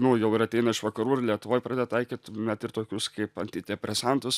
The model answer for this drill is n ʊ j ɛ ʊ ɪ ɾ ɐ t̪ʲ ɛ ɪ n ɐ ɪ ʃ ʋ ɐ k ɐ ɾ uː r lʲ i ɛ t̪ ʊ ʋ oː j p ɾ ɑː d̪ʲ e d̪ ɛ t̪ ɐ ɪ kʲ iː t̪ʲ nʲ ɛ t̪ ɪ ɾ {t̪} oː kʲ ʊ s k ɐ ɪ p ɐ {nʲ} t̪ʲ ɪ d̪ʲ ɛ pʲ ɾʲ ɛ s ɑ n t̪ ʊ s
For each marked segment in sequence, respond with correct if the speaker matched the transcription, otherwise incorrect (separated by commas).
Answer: correct, correct